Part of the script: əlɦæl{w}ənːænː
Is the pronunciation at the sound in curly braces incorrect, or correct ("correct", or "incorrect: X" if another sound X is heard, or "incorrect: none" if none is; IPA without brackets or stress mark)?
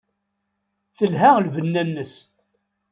incorrect: v